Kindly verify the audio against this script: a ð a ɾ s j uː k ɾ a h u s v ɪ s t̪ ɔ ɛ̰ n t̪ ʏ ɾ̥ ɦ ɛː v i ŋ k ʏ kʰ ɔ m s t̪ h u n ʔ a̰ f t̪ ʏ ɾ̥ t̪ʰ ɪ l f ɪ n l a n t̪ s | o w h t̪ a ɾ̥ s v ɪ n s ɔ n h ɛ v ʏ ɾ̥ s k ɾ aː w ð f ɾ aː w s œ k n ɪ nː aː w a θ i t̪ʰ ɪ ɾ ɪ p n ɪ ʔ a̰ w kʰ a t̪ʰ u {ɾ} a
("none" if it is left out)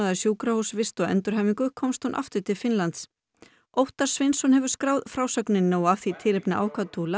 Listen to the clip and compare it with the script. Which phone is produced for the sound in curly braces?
l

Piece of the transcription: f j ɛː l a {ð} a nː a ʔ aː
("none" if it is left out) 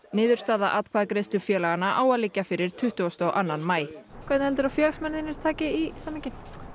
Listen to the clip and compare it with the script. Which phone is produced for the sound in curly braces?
ɣ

